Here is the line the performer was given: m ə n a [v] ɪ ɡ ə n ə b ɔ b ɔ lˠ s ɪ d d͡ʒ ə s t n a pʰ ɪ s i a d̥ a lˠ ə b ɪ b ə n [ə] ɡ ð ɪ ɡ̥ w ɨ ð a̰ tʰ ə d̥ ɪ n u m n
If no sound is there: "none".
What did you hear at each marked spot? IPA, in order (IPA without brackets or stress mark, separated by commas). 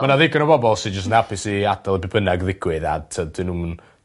ð, a